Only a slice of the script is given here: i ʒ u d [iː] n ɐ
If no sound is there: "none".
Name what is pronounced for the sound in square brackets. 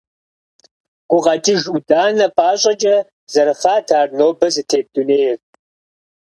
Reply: aː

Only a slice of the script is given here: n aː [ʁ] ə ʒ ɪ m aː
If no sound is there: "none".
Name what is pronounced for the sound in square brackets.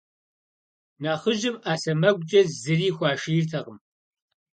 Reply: χ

